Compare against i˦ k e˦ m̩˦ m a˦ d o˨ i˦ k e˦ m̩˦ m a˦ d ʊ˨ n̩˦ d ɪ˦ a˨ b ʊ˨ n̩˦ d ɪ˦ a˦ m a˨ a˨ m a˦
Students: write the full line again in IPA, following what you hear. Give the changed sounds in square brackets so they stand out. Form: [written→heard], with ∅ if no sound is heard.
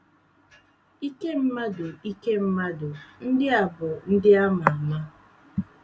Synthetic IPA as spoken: i˦ k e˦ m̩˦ m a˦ d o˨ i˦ k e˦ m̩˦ m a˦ d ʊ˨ n̩˦ d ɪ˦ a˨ b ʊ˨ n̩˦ d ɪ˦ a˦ m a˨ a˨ m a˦